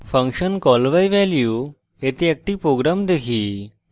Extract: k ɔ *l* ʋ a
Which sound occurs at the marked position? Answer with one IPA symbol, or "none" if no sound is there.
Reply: l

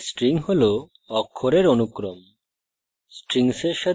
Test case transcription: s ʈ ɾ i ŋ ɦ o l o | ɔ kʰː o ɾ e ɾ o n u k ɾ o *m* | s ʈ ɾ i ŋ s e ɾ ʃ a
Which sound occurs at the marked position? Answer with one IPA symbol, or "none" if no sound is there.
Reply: m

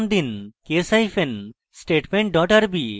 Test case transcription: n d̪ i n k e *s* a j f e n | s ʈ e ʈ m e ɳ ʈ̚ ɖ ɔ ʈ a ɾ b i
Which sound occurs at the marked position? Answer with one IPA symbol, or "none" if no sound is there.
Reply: s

